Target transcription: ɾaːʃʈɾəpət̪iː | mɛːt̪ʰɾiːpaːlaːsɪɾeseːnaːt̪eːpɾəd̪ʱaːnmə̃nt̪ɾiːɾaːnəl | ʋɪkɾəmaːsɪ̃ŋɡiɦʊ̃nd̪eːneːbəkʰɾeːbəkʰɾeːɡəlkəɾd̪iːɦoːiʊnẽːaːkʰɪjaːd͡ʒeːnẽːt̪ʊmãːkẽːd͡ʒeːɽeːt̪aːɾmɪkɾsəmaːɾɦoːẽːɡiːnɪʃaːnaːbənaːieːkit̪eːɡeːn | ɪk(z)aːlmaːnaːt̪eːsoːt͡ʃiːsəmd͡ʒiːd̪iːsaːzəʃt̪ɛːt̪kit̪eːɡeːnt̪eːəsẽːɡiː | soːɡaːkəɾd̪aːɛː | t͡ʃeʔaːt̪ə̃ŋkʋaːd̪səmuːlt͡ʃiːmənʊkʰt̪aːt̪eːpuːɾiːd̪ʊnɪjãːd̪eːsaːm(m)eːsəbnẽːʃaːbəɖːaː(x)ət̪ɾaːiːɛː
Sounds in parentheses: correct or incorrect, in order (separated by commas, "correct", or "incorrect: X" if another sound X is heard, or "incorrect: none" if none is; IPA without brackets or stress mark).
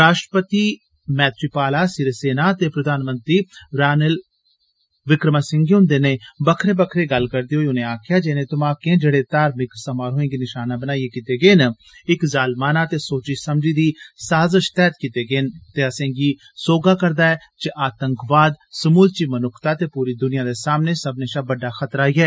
correct, incorrect: n, correct